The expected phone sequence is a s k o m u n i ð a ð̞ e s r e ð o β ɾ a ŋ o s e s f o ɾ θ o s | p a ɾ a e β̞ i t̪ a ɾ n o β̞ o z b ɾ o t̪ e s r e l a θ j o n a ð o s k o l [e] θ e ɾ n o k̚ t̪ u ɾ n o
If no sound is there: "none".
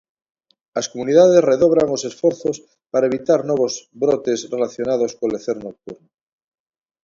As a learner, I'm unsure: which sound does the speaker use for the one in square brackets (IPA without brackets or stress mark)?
e